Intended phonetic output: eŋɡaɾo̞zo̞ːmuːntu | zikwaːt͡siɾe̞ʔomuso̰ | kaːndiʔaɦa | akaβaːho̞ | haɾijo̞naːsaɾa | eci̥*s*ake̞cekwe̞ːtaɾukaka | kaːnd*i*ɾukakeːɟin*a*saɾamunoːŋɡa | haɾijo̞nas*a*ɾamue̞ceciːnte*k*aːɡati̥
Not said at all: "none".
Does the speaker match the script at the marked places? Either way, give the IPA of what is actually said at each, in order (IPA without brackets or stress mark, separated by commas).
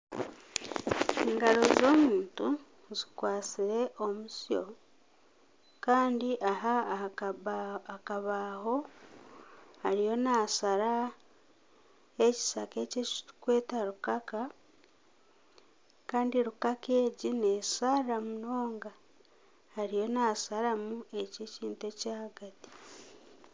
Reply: s, i, e, a, c